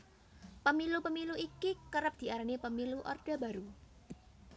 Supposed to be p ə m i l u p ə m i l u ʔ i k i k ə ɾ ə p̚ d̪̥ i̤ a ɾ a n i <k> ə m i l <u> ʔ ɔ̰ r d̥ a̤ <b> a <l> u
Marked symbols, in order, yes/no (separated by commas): no, yes, yes, no